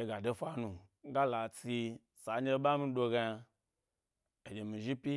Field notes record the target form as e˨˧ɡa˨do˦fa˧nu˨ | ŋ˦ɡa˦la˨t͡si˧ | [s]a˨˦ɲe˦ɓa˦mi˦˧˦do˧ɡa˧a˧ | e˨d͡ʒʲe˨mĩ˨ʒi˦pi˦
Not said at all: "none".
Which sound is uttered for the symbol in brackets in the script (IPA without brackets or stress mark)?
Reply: s